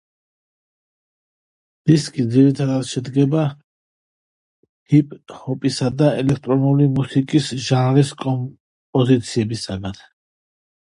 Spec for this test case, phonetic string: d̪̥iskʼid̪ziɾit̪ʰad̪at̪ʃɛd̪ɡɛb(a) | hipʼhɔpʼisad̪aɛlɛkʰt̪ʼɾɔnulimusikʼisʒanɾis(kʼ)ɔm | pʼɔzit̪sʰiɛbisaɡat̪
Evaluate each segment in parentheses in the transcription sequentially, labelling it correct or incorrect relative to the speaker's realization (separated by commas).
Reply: correct, correct